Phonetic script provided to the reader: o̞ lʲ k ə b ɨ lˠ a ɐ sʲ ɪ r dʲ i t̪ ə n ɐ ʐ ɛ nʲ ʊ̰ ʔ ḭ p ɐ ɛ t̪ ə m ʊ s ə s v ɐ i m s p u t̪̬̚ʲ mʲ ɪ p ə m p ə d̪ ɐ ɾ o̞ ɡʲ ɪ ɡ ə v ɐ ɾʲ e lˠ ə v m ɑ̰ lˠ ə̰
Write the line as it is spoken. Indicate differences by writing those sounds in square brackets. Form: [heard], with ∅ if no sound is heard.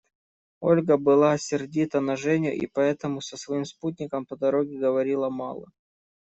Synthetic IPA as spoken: o̞ lʲ [ɡ] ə b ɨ lˠ a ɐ sʲ ɪ r dʲ i t̪ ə n ɐ ʐ ɛ nʲ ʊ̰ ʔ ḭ p ɐ ɛ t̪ ə m ʊ s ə s v ɐ i m s p u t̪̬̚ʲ [nʲ] ɪ [k] ə m p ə d̪ ɐ ɾ o̞ ɡʲ ɪ ɡ ə v ɐ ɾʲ [i] lˠ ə [∅] m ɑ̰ lˠ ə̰

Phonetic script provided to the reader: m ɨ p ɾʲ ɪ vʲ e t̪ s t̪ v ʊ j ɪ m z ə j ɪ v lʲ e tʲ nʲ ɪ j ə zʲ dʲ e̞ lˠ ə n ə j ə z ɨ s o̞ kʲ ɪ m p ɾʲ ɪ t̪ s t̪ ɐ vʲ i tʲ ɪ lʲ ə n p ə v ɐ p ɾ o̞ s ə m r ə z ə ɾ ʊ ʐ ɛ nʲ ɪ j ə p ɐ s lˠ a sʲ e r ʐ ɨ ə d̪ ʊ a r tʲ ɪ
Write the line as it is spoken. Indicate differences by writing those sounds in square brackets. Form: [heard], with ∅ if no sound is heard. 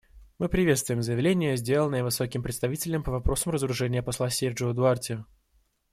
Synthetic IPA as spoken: m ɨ p ɾʲ ɪ vʲ e t̪ s t̪ v ʊ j ɪ m z ə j ɪ v lʲ e [∅] nʲ ɪ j ə zʲ dʲ e̞ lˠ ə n ə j ə [v] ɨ s o̞ kʲ ɪ m p ɾʲ ɪ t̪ s t̪ ɐ vʲ i tʲ ɪ lʲ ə [m] p ə v ɐ p ɾ o̞ s ə m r ə z ə ɾ ʊ ʐ ɛ nʲ ɪ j ə p ɐ s lˠ a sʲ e r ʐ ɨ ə d̪ ʊ a r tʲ ɪ

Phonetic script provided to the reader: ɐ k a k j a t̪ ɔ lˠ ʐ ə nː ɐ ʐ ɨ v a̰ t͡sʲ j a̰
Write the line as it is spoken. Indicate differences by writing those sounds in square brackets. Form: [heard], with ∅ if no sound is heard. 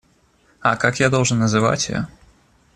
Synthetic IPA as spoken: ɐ k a k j a [d̪] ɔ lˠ ʐ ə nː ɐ [z] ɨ v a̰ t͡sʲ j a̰

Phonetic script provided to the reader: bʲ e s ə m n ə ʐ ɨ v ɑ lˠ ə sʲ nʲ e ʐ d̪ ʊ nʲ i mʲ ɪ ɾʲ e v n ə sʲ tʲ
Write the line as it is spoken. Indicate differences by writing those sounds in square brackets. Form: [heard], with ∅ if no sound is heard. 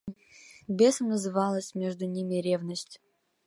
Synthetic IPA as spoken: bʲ e s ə m n ə [z] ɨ v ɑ lˠ ə sʲ [mʲ] e ʐ d̪ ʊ nʲ i mʲ ɪ ɾʲ e v n ə sʲ tʲ

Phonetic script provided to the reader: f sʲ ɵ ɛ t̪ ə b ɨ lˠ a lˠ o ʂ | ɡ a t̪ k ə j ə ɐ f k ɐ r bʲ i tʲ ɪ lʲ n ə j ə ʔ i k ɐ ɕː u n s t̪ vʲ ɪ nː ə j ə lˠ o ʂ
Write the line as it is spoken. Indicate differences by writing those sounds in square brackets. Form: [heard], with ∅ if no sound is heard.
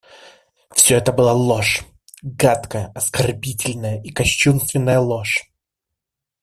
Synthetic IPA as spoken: f sʲ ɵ ɛ t̪ ə b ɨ lˠ a lˠ o ʂ | ɡ a t̪ k ə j ə ɐ [s] k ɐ r bʲ i tʲ ɪ lʲ n ə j ə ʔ i k ɐ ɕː u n s t̪ vʲ ɪ nː ə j ə lˠ o ʂ

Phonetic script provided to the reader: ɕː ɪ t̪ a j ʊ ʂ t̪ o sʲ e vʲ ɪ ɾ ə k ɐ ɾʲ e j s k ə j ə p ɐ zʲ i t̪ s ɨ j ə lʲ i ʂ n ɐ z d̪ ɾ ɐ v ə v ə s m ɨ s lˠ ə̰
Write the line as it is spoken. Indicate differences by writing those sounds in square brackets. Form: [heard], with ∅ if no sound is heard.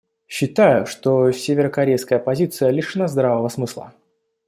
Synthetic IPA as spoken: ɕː ɪ t̪ a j ʊ ʂ t̪ o sʲ e vʲ ɪ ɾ ə k ɐ ɾʲ e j s k ə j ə p ɐ zʲ i t̪ s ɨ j ə lʲ i ʂ n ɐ z d̪ ɾ [a] v ə v ə s m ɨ s lˠ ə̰

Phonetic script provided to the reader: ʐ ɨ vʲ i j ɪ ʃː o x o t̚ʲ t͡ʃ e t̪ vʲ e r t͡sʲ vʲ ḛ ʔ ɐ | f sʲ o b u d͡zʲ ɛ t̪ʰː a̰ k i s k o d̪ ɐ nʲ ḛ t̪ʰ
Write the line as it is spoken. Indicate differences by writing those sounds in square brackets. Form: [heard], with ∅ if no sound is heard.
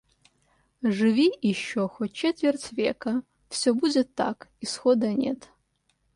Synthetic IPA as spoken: ʐ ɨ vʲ i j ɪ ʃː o x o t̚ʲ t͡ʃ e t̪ vʲ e r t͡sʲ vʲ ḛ [k] ɐ | f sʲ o b u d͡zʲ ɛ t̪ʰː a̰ k i s [x] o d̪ ɐ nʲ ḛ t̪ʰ

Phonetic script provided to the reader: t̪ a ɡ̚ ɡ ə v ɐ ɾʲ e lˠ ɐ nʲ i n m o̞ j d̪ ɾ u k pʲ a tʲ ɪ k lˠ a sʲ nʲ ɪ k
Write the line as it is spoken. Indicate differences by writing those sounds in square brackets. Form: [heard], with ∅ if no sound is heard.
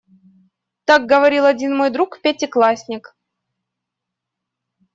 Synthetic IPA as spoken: t̪ a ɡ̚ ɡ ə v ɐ ɾʲ [i] lˠ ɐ [dʲ] i n m o̞ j d̪ ɾ u k pʲ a tʲ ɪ k lˠ a sʲ nʲ ɪ k

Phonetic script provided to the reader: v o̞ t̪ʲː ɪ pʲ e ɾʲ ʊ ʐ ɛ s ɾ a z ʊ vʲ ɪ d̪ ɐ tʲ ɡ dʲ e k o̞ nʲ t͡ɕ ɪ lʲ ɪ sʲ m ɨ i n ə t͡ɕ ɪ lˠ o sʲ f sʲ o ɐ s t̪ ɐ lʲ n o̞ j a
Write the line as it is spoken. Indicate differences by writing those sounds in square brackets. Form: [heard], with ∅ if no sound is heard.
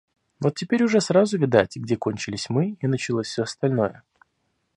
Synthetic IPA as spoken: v o̞ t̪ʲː ɪ pʲ e ɾʲ ʊ ʐ ɛ s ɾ a z ʊ vʲ ɪ d̪ [a] tʲ ɡ dʲ e k o̞ nʲ t͡ɕ ɪ lʲ ɪ sʲ m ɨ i n ə t͡ɕ ɪ lˠ o sʲ f sʲ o ɐ s t̪ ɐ lʲ n o̞ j [ə]

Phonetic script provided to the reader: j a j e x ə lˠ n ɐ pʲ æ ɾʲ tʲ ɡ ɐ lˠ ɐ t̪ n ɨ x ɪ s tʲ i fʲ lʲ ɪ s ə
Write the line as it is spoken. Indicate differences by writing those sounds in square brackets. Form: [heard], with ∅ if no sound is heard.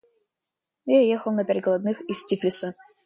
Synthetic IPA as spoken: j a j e x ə lˠ n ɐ pʲ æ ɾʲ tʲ ɡ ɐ lˠ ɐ [d̪] n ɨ x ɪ s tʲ i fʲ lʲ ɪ s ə

